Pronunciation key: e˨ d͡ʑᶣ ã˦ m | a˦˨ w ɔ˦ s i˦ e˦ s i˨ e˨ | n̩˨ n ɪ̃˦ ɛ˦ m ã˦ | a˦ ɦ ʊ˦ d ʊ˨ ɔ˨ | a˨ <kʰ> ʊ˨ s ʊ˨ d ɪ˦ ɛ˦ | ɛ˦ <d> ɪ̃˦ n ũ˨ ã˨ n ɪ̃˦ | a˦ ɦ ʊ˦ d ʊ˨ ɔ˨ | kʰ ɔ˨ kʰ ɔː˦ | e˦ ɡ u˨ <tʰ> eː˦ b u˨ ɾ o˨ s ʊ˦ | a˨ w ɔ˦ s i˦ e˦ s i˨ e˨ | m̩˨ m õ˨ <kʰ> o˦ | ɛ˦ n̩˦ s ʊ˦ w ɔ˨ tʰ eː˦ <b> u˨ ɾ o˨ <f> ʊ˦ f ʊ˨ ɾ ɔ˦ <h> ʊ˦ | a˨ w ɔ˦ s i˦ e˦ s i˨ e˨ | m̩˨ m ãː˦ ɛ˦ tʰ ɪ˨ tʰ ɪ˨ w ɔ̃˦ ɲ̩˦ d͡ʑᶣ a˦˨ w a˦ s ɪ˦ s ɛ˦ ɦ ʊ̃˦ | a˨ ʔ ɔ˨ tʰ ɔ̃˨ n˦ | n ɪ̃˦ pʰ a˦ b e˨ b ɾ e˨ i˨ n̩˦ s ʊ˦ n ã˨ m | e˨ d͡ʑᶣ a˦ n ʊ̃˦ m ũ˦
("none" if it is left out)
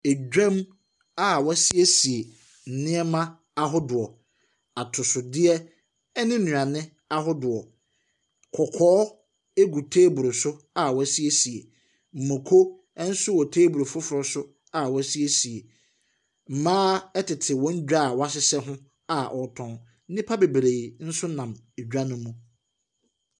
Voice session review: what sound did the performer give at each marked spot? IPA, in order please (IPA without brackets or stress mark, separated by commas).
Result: tʰ, n, tʰ, kʰ, b, f, s